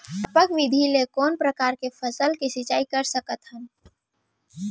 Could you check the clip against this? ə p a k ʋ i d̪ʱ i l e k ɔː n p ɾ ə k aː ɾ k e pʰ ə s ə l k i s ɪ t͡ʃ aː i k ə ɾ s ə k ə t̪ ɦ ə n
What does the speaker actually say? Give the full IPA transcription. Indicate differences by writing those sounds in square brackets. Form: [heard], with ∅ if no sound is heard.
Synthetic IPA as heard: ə p [ə] k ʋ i d̪ʱ i l e k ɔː n p ɾ ə k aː ɾ k e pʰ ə s ə l k i s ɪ t͡ʃ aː i k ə ɾ s ə k ə t̪ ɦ ə n